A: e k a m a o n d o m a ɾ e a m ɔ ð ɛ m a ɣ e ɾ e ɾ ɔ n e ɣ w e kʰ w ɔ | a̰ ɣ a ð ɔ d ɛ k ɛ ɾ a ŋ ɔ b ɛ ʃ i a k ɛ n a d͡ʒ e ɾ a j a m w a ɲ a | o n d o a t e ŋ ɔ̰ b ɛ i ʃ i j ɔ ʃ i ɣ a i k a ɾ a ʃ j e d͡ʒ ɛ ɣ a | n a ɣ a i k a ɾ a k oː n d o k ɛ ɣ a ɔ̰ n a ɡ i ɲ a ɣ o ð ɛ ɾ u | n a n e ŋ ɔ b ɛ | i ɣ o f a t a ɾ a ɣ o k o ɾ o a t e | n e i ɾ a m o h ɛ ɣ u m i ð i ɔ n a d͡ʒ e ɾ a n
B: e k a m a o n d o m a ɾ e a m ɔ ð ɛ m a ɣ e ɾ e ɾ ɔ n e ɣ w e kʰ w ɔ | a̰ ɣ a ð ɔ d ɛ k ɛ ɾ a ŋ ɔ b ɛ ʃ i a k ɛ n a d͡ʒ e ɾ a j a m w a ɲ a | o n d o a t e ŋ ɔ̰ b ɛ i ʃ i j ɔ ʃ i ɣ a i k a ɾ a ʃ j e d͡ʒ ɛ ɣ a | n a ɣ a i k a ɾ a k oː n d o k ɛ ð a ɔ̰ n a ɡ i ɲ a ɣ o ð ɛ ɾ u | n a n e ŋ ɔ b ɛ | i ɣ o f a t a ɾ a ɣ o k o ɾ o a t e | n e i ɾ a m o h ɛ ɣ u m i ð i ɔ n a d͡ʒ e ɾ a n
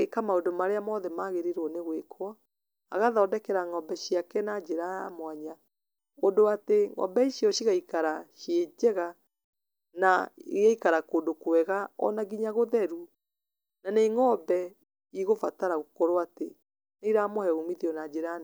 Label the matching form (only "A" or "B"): A